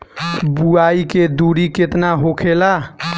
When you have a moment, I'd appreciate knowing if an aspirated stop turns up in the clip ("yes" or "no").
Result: yes